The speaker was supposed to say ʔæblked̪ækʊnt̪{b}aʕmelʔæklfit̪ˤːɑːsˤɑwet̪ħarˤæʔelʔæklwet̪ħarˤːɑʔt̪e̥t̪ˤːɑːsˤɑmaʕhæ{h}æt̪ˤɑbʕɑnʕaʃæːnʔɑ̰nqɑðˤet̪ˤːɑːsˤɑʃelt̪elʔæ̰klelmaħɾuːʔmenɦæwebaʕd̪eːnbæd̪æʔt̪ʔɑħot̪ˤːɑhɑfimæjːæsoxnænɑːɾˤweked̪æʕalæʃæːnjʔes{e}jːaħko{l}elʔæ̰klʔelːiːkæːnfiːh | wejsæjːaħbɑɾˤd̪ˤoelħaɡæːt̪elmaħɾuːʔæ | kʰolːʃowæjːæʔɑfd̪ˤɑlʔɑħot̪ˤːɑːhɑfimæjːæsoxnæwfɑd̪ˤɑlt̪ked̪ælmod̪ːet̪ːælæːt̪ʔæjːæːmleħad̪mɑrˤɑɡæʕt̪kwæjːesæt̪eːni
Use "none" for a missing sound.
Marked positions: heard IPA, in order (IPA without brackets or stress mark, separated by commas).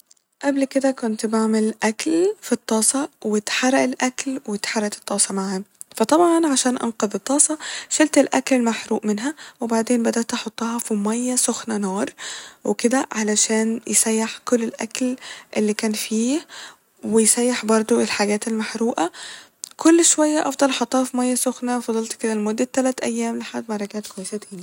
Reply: b, f, æ, lː